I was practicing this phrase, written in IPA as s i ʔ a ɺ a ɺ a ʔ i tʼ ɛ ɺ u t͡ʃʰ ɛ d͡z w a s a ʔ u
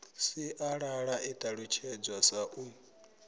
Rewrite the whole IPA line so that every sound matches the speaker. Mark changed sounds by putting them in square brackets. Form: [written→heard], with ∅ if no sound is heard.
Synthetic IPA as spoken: s i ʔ a ɺ a ɺ a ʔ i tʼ [ɛ→a] ɺ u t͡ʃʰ ɛ d͡z w a s a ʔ u